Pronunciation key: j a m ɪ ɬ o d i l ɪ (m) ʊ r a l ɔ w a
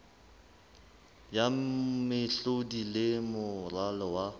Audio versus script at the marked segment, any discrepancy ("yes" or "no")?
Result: no